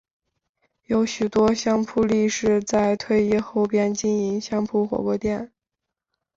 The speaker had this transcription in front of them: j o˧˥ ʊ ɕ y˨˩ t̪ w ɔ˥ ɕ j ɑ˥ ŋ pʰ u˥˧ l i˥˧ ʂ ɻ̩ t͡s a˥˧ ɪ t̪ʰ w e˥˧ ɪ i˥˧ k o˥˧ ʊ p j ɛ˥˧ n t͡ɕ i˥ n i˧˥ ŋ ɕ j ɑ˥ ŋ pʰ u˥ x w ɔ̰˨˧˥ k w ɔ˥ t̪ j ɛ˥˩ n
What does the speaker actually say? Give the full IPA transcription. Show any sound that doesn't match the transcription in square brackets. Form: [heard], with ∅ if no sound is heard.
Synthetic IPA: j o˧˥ ʊ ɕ y˨˩ t̪ w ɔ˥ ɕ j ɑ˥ ŋ pʰ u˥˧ l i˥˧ ʂ ɻ̩ t͡s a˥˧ ɪ t̪ʰ w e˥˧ ɪ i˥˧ [x] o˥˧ ʊ p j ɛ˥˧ n t͡ɕ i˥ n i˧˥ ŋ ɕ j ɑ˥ ŋ pʰ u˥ x w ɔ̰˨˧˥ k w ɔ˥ t̪ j ɛ˥˩ n